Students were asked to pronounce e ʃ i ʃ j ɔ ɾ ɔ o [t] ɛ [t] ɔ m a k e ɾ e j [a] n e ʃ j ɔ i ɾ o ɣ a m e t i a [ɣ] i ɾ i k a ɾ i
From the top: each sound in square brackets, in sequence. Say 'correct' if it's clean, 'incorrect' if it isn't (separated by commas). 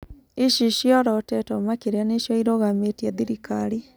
correct, correct, correct, incorrect